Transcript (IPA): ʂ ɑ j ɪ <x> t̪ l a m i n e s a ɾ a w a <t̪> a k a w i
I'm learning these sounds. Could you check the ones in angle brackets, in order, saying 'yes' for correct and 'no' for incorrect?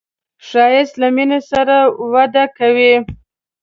no, no

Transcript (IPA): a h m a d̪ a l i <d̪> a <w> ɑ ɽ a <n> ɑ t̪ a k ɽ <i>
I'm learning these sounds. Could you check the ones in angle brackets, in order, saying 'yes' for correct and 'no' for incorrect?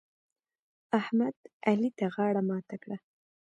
no, no, no, no

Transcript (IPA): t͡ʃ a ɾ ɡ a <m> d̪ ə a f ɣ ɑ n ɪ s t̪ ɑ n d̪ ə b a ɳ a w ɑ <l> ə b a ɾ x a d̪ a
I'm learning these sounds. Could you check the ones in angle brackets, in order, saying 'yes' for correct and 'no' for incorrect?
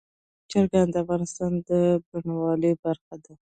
no, yes

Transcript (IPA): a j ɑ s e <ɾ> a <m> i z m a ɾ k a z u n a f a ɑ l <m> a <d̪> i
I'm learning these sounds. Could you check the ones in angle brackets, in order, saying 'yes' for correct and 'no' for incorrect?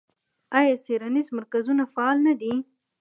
yes, no, no, yes

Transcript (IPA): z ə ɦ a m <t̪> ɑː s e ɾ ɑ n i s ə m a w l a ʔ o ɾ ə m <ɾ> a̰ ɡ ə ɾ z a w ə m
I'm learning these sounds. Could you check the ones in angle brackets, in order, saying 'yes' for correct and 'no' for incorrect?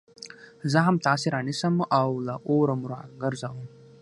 yes, yes

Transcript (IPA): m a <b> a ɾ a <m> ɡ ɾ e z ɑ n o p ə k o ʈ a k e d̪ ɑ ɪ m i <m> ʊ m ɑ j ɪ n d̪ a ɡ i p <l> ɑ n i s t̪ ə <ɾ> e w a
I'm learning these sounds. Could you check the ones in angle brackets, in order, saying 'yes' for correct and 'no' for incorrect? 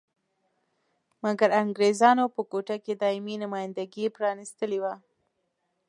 no, no, no, no, no

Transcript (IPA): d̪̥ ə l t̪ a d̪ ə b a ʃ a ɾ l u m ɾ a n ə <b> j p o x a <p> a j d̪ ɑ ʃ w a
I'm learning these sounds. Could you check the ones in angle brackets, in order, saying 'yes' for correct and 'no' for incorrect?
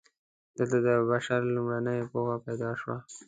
no, yes

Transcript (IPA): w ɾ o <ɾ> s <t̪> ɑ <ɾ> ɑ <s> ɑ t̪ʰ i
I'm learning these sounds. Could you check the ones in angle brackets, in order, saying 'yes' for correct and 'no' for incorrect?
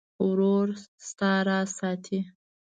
yes, yes, yes, yes

